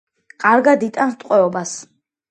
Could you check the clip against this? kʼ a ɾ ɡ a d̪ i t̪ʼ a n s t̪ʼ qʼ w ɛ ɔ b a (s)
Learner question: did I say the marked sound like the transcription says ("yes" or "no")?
yes